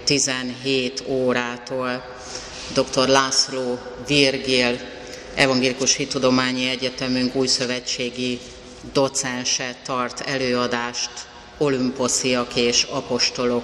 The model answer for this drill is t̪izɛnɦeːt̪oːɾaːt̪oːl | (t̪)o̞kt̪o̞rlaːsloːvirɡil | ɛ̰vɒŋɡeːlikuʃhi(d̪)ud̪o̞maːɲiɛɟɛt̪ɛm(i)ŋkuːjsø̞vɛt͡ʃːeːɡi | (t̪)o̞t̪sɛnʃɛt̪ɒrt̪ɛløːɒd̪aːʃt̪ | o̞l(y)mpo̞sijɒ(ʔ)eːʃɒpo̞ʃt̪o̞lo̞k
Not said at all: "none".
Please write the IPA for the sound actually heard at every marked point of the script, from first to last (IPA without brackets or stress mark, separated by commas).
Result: d̪, t̪, y, d̪, y, k